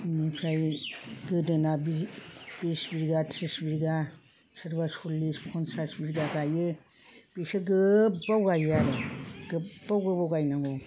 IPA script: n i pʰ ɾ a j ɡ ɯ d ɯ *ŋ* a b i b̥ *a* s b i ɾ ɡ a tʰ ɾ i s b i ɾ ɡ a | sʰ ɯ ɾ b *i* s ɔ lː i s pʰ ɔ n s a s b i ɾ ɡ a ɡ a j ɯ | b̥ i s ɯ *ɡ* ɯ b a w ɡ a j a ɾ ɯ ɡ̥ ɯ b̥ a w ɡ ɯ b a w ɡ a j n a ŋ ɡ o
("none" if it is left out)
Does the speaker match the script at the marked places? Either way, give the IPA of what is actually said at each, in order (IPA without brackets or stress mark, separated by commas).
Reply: n, i, a, ɡ